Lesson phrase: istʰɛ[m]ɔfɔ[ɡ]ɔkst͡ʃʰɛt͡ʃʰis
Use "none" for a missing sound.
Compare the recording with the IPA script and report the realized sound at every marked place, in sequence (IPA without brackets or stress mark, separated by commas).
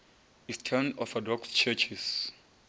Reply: n, d